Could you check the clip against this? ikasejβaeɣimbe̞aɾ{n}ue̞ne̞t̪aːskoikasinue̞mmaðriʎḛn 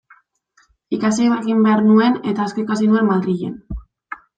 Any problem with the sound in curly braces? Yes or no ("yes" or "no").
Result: no